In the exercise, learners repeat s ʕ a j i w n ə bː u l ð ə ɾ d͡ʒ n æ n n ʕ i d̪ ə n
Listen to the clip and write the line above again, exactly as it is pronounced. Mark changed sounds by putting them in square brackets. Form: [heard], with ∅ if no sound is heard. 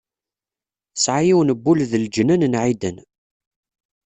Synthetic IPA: s ʕ a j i w n ə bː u l ð ə [l] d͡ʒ n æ n n ʕ i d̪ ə n